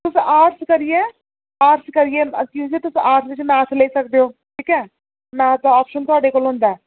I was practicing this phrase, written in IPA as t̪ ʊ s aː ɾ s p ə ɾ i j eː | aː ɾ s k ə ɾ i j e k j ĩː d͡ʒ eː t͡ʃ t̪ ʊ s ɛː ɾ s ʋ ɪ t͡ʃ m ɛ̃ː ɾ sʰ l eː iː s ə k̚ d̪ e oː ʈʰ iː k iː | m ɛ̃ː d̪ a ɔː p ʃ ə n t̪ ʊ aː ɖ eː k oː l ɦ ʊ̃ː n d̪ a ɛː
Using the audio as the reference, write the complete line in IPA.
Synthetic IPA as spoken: t̪ ʊ s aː ɾ s k ə ɾ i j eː | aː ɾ s k ə ɾ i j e k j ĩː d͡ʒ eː t̪ ʊ s aː ɾ s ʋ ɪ t͡ʃ m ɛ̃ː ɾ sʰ l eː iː s ə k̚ d̪ e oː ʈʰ iː k ɛː | m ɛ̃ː t̪ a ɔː p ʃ ə n t̪ ʊ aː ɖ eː k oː l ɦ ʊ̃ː n d̪ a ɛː